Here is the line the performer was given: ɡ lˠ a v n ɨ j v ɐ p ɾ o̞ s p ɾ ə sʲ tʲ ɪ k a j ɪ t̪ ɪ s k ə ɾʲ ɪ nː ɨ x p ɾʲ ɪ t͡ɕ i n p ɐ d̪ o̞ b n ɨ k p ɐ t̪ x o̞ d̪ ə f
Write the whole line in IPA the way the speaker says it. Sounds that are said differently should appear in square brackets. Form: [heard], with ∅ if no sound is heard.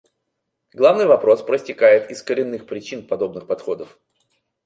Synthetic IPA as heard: ɡ lˠ a v n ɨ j v ɐ p ɾ o̞ s p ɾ ə sʲ tʲ ɪ k a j ɪ t̪ ɪ s k ə ɾʲ ɪ nː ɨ x p ɾʲ ɪ t͡ɕ i n p ɐ d̪ o̞ b n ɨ [x] p ɐ t̪ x o̞ d̪ ə f